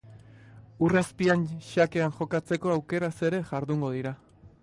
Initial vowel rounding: rounded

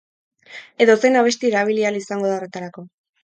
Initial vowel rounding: unrounded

